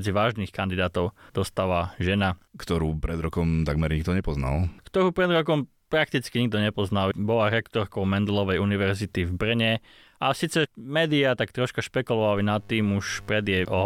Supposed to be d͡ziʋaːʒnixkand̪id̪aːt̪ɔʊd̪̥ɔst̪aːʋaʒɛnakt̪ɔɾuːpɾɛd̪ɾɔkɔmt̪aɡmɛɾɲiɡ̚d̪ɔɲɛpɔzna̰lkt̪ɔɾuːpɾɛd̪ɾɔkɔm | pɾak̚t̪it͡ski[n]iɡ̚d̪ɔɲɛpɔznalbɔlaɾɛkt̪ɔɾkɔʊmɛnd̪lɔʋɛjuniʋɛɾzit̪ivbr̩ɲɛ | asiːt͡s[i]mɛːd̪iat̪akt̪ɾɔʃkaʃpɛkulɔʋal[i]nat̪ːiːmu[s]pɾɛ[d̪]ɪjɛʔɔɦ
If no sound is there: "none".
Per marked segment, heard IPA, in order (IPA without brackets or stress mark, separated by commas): ɲ, ɛ, i, ʃ, d̪